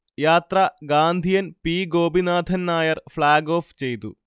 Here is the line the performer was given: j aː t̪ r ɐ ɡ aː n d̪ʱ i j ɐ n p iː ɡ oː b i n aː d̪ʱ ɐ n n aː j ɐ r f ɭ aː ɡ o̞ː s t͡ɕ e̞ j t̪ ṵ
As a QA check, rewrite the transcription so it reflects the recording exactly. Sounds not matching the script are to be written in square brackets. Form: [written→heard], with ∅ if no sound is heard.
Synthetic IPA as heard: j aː t̪ r ɐ ɡ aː n d̪ʱ i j ɐ n p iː ɡ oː b i n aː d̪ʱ ɐ n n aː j ɐ r f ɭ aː ɡ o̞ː [s→f] t͡ɕ e̞ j t̪ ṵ